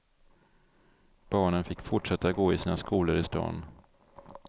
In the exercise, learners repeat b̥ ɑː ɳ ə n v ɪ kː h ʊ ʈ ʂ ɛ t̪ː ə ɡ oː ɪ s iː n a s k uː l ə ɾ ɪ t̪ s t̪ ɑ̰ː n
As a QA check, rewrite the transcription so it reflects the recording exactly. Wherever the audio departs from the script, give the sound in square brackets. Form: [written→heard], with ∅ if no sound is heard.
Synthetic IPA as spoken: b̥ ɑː ɳ ə n [v→f] ɪ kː [h→f] ʊ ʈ ʂ ɛ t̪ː [ə→a] ɡ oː ɪ s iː n a s k uː l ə ɾ ɪ [t̪→∅] s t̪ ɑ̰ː n

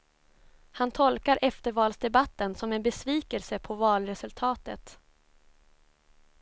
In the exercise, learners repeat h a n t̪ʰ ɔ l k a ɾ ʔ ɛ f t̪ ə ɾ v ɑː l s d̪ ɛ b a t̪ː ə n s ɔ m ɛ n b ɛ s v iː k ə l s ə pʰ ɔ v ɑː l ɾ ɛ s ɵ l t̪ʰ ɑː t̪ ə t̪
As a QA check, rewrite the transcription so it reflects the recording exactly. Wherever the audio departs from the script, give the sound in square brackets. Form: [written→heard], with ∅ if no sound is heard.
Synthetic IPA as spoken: h a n t̪ʰ ɔ l k a ɾ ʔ ɛ f t̪ ə ɾ v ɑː l s d̪ ɛ b a t̪ː ə n s ɔ m ɛ n b ɛ s v iː k ə l s ə pʰ ɔ v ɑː l ɾ ɛ s ɵ l t̪ʰ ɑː t̪ ə t̪

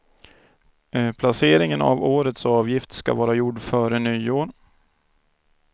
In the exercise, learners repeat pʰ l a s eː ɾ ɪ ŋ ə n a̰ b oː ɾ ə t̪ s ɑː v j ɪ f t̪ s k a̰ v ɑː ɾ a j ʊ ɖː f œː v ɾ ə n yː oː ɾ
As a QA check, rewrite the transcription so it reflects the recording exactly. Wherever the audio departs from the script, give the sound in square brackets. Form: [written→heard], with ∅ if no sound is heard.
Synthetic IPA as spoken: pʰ l a s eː ɾ ɪ ŋ ə n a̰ [b→v] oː ɾ ə t̪ s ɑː v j ɪ f t̪ s k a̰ v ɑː ɾ a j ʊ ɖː f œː [v→∅] ɾ ə n yː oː ɾ

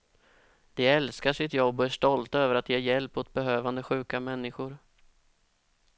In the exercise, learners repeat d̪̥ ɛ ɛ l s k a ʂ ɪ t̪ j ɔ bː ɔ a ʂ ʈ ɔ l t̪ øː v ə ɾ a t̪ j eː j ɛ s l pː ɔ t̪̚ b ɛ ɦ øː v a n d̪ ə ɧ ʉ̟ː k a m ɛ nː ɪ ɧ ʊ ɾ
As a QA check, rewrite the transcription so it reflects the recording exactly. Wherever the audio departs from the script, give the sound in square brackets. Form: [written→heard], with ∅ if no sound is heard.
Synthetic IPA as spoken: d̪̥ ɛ ɛ l s k a ʂ ɪ t̪ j ɔ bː ɔ [a→æ] ʂ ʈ ɔ l t̪ øː v ə ɾ a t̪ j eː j ɛ [s→∅] l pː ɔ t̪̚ b ɛ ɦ øː v a n d̪ ə ɧ ʉ̟ː k a m ɛ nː ɪ ɧ ʊ ɾ

